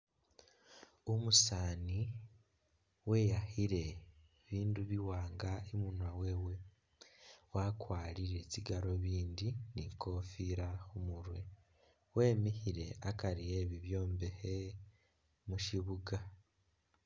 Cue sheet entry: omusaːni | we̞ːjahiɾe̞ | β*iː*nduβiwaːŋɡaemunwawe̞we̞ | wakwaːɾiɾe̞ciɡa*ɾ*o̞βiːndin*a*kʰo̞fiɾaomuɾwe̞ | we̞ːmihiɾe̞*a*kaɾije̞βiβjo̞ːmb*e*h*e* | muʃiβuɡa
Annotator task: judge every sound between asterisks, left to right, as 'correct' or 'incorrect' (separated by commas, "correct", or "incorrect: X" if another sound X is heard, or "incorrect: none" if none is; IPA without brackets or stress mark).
correct, correct, incorrect: i, correct, correct, correct